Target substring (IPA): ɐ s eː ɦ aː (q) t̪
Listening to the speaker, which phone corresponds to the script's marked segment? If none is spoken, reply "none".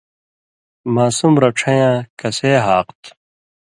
q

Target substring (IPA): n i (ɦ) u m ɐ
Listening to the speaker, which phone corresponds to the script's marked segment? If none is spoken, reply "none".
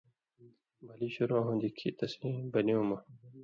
none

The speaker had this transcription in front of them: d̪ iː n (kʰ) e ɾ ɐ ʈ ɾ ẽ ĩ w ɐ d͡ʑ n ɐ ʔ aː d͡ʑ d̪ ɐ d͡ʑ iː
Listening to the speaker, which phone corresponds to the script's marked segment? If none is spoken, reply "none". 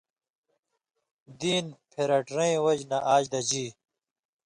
pʰ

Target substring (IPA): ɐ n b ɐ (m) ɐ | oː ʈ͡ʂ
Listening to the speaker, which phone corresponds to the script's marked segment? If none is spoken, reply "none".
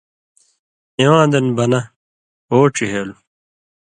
n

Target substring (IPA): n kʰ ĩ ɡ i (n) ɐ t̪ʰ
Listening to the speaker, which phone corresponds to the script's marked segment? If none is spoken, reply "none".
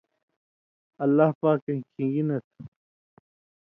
n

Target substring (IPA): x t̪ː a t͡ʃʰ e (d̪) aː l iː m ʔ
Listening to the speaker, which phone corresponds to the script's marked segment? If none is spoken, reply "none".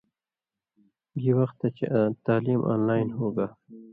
t̪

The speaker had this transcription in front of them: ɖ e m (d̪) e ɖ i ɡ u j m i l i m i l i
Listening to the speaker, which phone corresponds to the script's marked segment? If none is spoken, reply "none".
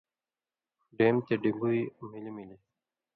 t̪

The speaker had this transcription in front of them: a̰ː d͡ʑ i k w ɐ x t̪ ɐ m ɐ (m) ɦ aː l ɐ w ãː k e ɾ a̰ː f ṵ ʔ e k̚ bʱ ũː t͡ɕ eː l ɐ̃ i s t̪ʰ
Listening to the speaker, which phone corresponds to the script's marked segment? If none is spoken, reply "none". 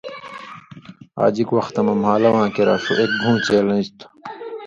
m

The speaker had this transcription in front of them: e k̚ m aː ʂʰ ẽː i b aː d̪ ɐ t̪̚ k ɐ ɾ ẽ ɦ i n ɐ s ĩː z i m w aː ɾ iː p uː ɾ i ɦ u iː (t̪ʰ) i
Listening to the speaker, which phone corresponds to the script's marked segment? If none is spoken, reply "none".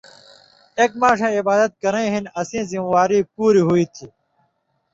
t̪ʰ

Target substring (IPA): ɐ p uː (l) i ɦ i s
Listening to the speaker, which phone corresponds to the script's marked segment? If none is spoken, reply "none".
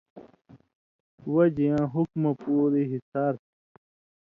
ɾ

